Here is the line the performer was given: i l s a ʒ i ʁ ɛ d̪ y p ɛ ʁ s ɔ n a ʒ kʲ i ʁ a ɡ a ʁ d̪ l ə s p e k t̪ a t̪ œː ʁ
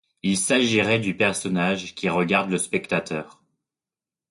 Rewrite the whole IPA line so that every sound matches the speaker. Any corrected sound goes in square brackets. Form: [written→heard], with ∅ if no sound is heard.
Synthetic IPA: i l s a ʒ i ʁ ɛ d̪ y p ɛ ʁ s ɔ n a ʒ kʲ i ʁ [a→ə] ɡ a ʁ d̪ l ə s p [e→ɛ] k t̪ a t̪ œː ʁ